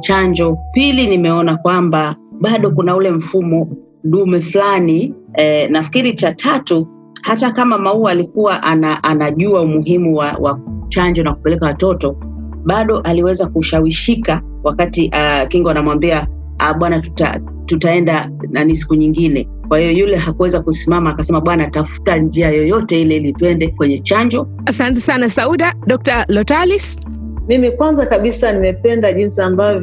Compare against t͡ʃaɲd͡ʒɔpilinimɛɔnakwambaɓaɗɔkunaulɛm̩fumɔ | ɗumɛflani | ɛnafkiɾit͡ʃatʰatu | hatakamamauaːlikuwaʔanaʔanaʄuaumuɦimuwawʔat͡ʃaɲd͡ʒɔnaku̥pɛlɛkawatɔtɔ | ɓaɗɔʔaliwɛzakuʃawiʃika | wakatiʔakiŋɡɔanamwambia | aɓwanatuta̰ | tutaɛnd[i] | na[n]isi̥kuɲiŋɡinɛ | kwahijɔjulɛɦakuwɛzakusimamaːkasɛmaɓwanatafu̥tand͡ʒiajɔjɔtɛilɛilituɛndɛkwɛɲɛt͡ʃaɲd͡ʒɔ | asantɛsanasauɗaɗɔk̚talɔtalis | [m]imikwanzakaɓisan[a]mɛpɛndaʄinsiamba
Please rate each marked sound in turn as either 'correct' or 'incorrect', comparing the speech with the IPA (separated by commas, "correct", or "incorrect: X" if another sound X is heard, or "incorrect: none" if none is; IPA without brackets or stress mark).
incorrect: a, correct, correct, incorrect: i